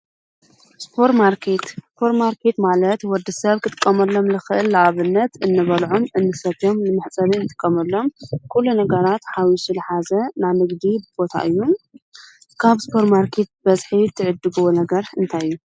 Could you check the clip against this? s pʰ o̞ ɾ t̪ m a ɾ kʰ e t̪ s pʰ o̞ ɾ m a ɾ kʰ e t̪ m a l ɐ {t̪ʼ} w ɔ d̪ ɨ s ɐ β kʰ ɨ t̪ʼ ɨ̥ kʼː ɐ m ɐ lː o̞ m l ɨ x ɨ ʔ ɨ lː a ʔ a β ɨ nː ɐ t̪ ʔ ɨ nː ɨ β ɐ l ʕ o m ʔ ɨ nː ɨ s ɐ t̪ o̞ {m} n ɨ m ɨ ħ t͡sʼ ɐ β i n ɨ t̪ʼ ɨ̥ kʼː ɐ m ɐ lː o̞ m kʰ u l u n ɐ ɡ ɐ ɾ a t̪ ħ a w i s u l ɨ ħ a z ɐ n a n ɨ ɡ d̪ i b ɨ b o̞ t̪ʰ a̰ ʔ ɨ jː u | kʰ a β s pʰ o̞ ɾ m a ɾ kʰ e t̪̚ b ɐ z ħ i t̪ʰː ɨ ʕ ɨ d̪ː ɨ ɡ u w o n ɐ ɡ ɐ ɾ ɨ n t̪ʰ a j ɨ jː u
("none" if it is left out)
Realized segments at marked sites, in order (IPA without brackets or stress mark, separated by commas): t̪, m